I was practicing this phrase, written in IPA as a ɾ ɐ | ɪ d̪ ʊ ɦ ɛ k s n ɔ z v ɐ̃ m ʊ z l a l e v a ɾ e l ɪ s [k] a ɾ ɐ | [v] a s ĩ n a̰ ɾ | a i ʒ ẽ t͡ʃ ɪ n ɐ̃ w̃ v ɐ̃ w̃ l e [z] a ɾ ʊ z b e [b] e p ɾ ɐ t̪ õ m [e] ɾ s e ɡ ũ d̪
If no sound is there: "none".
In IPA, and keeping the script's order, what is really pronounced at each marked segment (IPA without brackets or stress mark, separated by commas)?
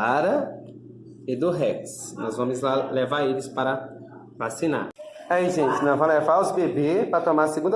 p, v, v, b, a